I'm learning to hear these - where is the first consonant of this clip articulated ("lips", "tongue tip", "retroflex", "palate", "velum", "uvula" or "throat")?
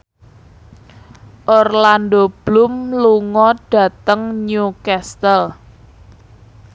throat